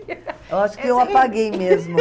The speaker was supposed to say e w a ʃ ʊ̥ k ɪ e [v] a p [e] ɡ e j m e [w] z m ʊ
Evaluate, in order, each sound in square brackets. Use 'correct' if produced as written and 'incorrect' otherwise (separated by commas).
incorrect, incorrect, incorrect